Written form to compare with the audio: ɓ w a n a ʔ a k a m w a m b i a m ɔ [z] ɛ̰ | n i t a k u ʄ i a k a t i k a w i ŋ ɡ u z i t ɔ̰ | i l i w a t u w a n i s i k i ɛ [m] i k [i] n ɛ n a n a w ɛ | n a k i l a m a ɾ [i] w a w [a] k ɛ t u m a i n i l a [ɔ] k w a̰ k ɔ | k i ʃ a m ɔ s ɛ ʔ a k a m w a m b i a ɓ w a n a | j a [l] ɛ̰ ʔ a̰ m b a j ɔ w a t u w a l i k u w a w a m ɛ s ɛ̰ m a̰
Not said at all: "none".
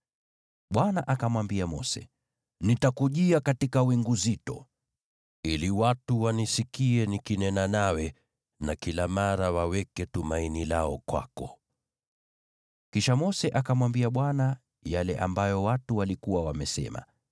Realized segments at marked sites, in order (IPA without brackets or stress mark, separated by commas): s, n, i, a, ɛ, ɔ, l